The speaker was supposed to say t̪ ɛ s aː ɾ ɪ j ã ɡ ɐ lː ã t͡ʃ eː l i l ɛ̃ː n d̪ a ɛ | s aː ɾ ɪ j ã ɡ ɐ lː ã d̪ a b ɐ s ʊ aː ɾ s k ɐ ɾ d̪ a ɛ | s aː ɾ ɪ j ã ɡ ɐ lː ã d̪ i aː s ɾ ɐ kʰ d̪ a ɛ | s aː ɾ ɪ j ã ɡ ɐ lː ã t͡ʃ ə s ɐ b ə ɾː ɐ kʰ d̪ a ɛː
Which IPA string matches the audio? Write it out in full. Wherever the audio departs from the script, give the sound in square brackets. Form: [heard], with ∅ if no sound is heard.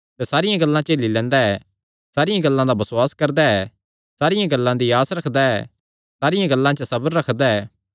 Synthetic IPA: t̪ ɛ s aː ɾ ɪ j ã ɡ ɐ lː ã t͡ʃ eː l i l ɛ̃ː n d̪ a ɛ | s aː ɾ ɪ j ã ɡ ɐ lː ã d̪ a b ɐ s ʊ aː [∅] s k ɐ ɾ d̪ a ɛ | s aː ɾ ɪ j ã ɡ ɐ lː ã d̪ i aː s ɾ ɐ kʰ d̪ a ɛ | s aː ɾ ɪ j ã ɡ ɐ lː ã t͡ʃ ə s ɐ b ə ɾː ɐ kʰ d̪ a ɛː